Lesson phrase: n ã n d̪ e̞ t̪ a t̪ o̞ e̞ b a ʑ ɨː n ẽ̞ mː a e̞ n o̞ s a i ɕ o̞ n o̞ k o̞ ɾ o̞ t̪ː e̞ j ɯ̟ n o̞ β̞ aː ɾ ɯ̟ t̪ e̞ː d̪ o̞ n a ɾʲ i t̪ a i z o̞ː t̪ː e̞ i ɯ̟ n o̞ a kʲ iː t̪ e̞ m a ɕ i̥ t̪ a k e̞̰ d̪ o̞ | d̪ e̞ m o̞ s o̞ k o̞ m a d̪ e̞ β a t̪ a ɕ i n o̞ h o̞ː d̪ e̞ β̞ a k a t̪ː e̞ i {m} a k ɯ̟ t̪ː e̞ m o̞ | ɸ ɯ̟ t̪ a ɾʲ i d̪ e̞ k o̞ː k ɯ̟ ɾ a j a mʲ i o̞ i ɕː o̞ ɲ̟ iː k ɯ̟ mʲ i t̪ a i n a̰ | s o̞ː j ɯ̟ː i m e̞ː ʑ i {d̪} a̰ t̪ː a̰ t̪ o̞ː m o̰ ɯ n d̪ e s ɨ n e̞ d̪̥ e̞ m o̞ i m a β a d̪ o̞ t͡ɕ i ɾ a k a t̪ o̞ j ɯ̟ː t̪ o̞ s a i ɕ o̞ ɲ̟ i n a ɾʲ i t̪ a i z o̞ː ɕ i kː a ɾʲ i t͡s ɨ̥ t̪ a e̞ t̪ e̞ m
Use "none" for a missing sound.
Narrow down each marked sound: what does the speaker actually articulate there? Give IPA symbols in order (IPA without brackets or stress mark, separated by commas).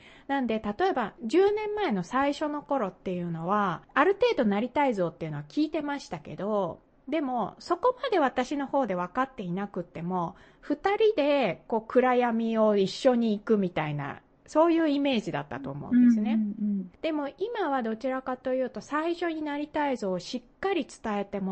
n, d̪